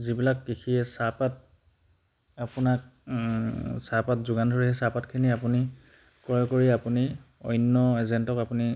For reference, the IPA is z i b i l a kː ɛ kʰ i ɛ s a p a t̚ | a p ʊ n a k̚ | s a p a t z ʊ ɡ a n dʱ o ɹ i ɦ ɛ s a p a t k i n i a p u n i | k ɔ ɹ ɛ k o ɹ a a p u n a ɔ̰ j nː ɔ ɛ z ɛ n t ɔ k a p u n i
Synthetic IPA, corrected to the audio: z i b i l a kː i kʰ i ɛ s a p a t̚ | a p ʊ n a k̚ | s a p a t z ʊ ɡ a n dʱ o ɹ i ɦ ɛ s a p a t kʰ i n i a p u n i | k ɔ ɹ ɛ k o ɹ i a p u n i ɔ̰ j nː ɔ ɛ z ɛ n t ɔ k a p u n i